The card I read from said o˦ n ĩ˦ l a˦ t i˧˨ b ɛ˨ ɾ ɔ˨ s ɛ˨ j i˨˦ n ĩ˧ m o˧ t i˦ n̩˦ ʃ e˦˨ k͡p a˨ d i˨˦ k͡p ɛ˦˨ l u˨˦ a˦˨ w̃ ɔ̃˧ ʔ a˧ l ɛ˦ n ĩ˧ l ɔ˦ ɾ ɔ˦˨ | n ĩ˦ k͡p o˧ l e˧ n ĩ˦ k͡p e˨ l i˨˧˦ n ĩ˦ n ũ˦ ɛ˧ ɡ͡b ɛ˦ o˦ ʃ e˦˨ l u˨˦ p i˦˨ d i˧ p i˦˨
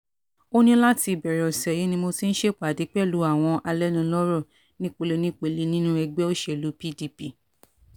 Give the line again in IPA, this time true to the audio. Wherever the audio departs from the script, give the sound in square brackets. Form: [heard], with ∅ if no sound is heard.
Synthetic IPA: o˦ n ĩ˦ l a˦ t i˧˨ b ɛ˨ ɾ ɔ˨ s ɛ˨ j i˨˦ n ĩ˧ m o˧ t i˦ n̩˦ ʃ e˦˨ k͡p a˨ d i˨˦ k͡p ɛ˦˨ l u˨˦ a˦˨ w̃ ɔ̃˧ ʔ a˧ l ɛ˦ n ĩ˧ l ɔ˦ ɾ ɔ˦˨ | n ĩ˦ k͡p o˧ l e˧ n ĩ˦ k͡p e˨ l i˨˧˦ n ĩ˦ n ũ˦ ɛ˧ ɡ͡b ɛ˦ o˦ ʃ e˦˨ l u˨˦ p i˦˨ d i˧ p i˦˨